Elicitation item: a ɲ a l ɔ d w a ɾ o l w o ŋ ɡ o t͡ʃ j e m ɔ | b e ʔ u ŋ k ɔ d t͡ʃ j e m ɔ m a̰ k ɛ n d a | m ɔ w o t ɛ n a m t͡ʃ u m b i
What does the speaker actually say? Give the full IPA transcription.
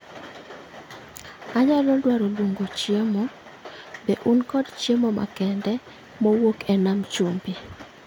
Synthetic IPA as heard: a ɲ a l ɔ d w a ɾ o l w o ŋ ɡ o t͡ʃ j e m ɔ | b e ʔ u n k ɔ d t͡ʃ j e m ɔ m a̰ k ɛ n d ɛ | m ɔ w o k ɛ n a m t͡ʃ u m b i